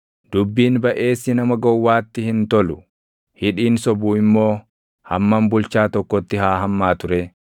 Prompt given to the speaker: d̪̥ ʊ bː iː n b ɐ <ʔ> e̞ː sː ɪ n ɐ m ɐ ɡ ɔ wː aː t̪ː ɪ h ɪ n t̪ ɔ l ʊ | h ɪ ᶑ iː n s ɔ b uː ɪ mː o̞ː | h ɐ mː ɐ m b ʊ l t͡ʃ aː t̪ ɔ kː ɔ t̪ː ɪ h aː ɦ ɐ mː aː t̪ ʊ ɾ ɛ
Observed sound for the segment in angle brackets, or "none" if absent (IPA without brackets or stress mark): ʔ